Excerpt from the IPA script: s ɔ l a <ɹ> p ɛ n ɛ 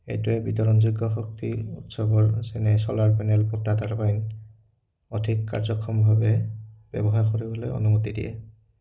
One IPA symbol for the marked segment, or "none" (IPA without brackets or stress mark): ɹ